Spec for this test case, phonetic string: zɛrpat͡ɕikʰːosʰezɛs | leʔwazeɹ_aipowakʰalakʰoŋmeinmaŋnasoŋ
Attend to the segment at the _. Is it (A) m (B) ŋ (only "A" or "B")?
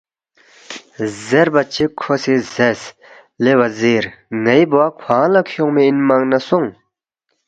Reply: B